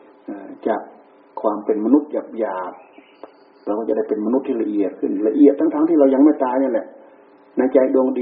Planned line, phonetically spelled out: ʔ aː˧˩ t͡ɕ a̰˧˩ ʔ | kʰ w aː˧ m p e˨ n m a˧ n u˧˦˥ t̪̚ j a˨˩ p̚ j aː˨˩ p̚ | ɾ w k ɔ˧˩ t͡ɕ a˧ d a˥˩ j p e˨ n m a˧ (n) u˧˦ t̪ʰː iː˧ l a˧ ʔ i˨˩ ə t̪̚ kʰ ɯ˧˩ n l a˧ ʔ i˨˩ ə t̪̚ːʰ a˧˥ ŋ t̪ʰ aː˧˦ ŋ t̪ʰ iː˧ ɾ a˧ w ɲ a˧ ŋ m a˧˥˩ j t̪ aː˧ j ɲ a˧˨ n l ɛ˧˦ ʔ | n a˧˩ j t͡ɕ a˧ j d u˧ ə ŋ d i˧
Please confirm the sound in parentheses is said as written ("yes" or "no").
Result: yes